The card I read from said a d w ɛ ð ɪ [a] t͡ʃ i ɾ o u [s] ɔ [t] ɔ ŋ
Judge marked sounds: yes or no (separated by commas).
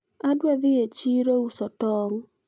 no, yes, yes